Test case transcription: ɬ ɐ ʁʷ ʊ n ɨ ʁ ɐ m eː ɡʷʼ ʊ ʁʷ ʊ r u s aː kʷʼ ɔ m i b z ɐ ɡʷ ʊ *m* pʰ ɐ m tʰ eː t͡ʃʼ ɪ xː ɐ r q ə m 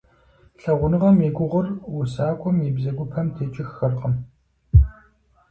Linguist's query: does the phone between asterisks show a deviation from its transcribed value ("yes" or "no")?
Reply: yes